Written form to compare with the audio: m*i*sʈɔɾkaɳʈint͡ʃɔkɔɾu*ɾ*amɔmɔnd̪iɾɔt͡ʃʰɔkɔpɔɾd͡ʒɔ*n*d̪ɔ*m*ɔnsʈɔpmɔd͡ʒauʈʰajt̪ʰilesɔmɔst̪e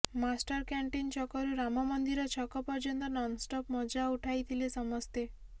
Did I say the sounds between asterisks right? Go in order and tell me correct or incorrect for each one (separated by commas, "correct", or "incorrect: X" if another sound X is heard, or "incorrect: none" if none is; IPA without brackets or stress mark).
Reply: incorrect: a, correct, correct, incorrect: n